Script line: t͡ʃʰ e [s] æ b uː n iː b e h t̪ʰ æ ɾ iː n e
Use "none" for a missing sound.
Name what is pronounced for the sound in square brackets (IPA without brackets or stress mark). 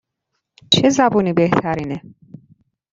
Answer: z